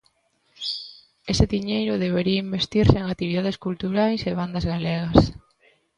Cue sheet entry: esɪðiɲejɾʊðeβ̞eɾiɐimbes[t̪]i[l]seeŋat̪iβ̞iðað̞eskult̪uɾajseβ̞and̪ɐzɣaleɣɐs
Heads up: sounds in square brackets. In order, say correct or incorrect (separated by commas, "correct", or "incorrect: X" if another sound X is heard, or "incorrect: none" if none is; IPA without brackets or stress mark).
correct, incorrect: ɾ